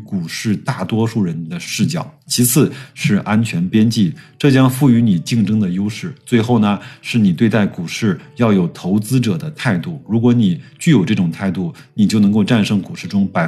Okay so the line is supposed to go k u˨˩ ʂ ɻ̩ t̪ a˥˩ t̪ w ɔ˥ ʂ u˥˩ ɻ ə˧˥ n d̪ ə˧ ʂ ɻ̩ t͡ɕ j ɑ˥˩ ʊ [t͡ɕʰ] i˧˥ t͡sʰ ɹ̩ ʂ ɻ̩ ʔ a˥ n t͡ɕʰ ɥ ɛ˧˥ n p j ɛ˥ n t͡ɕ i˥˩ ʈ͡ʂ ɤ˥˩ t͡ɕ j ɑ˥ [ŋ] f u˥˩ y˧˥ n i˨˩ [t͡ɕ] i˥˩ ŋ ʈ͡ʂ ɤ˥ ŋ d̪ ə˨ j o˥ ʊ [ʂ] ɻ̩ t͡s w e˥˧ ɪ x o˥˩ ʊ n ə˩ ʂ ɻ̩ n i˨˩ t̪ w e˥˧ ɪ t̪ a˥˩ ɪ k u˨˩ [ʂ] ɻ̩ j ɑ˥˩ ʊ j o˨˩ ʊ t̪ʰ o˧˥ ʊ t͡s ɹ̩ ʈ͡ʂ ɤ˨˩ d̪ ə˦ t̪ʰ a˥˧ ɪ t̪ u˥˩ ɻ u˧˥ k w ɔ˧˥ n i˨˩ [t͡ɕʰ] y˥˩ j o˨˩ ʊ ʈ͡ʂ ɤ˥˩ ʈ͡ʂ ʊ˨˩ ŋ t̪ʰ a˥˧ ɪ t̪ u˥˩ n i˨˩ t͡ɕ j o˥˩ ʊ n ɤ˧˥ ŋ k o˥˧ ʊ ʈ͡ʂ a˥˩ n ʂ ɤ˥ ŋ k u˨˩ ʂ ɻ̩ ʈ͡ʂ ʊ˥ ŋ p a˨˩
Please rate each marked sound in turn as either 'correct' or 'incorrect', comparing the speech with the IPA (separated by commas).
correct, correct, correct, correct, correct, incorrect